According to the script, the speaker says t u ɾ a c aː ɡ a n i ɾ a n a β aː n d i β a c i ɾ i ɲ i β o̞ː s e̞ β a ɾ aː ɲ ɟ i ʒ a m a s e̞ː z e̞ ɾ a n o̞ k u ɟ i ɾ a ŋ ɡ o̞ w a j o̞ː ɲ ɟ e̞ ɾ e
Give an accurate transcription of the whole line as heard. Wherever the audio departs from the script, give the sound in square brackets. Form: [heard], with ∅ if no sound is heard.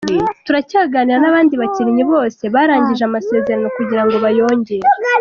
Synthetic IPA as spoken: t u ɾ a c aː ɡ a n i ɾ a n a β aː n d i β a c i ɾ i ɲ i β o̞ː s e̞ β a ɾ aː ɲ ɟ i ʒ a m a s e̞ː z e̞ ɾ a n o̞ k u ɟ i ɾ a ŋ ɡ o̞ [β] a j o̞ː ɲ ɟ e̞ ɾ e